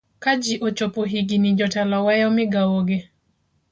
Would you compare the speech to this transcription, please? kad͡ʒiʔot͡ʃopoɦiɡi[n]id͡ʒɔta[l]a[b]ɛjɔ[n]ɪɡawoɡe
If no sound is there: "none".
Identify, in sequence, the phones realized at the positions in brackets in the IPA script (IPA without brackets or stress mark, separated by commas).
n, l, w, m